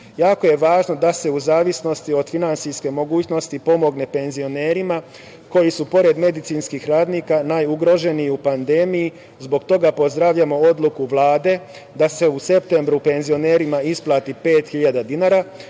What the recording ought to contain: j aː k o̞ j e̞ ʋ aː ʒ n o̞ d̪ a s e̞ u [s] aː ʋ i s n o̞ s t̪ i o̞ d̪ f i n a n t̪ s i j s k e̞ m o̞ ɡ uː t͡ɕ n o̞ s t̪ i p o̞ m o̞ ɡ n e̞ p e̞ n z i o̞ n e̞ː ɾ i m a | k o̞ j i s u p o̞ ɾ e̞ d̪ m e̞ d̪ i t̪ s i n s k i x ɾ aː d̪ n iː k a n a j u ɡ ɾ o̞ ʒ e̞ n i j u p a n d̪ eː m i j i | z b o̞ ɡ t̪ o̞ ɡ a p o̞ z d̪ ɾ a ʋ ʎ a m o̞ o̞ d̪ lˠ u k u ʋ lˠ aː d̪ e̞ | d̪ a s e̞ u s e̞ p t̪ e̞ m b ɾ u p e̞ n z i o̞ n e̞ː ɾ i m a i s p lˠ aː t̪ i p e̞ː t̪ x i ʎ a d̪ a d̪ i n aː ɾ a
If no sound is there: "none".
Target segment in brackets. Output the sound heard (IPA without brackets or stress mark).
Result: z